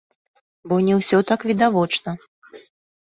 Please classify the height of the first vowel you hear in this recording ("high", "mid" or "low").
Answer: mid